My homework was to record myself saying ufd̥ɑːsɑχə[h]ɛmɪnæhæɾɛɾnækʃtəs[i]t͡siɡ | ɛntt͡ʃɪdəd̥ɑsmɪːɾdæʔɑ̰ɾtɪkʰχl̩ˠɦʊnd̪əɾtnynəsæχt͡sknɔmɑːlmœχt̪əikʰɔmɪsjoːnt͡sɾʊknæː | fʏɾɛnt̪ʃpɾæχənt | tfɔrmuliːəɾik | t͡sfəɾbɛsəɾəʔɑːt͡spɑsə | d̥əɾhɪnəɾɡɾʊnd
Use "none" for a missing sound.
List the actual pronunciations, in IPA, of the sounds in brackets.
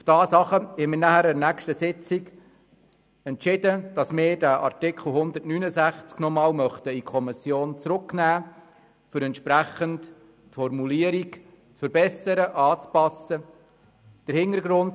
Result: h, ɪ

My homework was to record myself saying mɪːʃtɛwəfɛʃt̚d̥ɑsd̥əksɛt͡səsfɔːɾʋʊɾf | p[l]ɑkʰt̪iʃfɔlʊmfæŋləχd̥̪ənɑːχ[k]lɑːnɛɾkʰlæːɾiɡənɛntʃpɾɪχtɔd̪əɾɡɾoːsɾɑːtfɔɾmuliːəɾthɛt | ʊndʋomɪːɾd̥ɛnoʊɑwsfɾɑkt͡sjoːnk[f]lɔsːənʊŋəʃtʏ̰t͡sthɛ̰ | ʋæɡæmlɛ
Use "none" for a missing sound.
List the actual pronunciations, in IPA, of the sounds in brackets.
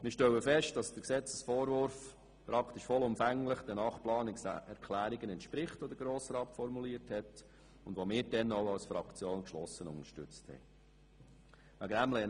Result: ɾ, p, ʃ

